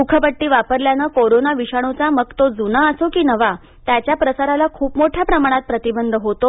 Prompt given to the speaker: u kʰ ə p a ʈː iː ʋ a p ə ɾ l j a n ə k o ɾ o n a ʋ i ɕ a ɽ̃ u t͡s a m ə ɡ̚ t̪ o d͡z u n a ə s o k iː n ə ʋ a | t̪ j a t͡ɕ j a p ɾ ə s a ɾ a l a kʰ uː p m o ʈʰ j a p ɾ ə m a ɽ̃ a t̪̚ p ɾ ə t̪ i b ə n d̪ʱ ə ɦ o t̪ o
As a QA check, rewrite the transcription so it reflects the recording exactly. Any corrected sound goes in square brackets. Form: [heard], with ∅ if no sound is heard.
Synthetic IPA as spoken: u kʰ ə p [ə] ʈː iː ʋ a p ə ɾ l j a n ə k o ɾ o n a ʋ i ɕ a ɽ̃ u t͡s a m ə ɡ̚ t̪ o d͡z u n a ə s o k iː n ə ʋ a | t̪ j a t͡ɕ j a p ɾ ə s a ɾ a l a kʰ uː p m o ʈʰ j a p ɾ ə m a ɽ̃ a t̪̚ p ɾ ə t̪ i b ə n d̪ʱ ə ɦ o t̪ o